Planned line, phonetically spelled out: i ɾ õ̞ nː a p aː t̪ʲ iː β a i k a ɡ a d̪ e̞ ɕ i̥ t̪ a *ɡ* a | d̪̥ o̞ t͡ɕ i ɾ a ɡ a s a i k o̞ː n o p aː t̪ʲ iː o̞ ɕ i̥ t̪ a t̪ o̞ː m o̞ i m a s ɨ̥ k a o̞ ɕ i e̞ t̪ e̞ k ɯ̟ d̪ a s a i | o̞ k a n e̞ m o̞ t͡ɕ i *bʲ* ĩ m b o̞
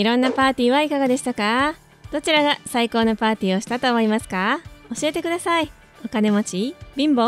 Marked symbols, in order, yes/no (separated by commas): no, yes